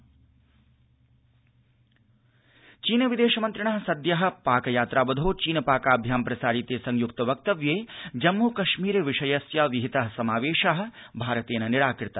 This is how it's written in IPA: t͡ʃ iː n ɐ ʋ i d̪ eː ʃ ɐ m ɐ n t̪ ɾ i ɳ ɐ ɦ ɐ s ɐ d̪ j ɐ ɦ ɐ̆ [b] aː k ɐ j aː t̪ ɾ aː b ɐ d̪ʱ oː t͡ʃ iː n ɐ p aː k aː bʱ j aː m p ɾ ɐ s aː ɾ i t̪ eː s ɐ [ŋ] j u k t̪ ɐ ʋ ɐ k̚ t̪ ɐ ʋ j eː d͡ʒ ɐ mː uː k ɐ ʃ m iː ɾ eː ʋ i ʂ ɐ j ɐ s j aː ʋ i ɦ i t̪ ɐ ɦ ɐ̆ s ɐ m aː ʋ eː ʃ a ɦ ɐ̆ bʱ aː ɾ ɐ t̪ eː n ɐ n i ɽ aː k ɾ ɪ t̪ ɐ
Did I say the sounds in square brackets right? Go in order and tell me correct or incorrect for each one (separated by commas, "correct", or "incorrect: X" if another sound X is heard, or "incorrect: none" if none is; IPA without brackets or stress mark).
incorrect: p, correct